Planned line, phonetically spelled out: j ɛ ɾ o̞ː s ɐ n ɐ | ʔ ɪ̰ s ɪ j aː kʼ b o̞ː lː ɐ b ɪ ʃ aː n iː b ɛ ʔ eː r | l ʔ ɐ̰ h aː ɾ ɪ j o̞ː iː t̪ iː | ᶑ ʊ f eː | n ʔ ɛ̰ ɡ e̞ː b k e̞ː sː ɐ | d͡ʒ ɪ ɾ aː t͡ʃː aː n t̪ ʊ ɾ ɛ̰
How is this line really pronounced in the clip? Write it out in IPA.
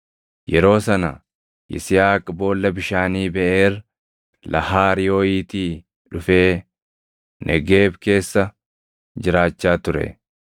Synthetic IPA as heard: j ɛ ɾ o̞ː s ɐ n ɐ | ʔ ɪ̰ s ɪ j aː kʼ b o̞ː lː ɐ b ɪ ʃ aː n iː b ɛ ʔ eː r | l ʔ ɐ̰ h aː ɾ ɪ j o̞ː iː t̪ iː | ᶑ ʊ f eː | n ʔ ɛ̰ ɡ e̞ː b k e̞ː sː ɐ | d͡ʒ ɪ ɾ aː t͡ʃː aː t̪ ʊ ɾ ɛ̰